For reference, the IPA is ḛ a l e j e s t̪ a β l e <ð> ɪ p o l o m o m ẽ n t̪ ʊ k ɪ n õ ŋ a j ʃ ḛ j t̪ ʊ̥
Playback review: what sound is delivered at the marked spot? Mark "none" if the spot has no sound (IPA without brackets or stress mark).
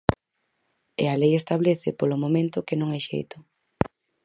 θ